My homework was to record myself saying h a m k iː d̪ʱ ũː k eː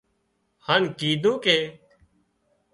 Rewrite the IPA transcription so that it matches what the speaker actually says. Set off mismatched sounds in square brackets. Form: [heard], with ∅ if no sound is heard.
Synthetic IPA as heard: h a [n] k iː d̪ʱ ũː k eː

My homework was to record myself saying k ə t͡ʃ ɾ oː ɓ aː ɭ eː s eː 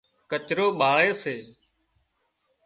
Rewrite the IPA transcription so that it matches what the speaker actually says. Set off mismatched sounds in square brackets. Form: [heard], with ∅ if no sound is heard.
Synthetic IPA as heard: k ə t͡ʃ ɾ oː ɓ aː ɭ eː s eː

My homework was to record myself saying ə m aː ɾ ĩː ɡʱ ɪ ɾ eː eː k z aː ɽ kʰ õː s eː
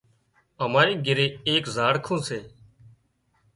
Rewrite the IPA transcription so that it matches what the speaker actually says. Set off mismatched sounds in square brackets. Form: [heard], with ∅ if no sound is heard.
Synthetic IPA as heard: ə m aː ɾ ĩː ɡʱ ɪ ɾ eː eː k z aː ɽ kʰ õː s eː

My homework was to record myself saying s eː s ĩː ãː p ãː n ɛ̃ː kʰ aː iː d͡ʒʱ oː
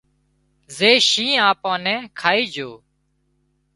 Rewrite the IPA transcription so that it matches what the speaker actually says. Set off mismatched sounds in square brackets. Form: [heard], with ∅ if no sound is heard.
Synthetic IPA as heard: [z] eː [ʃ] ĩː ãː p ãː n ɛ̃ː kʰ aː iː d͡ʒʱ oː

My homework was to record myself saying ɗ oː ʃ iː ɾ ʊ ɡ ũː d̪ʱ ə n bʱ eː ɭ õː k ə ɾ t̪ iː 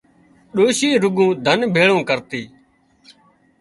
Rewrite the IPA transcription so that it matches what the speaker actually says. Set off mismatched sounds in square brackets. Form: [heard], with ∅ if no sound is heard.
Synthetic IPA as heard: ɗ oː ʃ iː ɾ ʊ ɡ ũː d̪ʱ ə n bʱ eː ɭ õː k ə ɾ t̪ iː

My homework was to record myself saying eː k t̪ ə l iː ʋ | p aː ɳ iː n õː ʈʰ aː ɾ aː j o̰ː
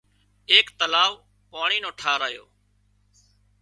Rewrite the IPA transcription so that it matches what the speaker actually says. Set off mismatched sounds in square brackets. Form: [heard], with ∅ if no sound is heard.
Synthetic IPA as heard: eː k t̪ ə l [aː] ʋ | p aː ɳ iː n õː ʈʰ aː ɾ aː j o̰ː

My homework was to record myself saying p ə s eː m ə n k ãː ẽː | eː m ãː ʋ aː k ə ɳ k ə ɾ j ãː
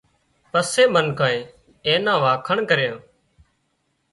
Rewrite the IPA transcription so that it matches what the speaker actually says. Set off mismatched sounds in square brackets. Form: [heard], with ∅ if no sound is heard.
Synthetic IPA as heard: p ə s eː m ə n k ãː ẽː | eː [n] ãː ʋ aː [kʰ] ə ɳ k ə ɾ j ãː

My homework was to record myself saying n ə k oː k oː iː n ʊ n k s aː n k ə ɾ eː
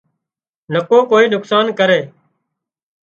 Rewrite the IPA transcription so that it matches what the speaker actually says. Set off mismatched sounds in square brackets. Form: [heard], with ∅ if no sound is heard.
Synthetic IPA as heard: n ə k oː k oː iː n ʊ [∅] k s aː n k ə ɾ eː

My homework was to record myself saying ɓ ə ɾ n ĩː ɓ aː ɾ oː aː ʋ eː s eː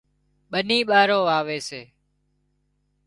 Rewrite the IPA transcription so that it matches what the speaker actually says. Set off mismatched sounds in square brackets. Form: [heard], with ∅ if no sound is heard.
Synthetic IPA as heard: ɓ ə [∅] n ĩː ɓ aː ɾ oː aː ʋ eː s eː

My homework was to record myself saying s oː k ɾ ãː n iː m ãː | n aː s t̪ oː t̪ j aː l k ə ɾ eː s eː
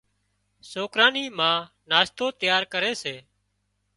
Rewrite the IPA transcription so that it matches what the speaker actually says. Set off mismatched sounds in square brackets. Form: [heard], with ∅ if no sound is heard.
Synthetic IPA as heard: s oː k ɾ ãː n iː m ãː | n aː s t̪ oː t̪ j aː [ɾ] k ə ɾ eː s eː

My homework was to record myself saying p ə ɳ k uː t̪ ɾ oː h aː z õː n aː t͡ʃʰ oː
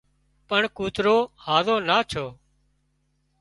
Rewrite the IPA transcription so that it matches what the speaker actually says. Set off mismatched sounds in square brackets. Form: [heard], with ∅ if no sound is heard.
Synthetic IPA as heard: p ə ɳ k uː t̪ ɾ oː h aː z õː n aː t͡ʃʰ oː

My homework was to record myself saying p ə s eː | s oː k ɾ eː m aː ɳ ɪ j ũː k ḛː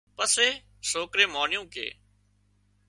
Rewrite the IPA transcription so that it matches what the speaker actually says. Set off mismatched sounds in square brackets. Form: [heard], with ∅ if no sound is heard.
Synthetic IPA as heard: p ə s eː | s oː k ɾ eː m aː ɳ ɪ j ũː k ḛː

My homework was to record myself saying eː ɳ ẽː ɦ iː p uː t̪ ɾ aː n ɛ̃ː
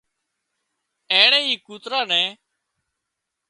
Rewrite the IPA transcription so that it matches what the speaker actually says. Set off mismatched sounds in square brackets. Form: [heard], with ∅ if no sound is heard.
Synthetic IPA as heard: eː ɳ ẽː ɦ iː [k] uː t̪ ɾ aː n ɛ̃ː

